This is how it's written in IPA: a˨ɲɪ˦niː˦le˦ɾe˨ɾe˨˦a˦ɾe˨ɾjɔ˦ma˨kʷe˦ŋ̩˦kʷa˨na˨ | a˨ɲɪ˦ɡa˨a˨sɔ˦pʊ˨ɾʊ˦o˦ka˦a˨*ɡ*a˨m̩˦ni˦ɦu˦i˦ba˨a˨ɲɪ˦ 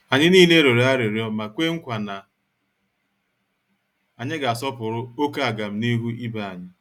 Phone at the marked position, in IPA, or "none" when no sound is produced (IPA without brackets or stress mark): ɡ